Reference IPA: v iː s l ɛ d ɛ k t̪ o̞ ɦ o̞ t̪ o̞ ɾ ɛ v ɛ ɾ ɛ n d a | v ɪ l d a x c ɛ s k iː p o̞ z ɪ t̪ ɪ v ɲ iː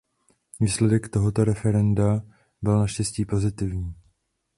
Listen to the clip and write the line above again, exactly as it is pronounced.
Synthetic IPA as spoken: v iː s l ɛ d ɛ k t̪ o̞ ɦ o̞ t̪ o̞ ɾ ɛ f ɛ ɾ ɛ n d a | b ɪ l n a ʃ c ɛ s c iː p o̞ z ɪ t̪ ɪ v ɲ iː